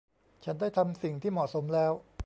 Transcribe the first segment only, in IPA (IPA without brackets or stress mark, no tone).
t͡ɕʰ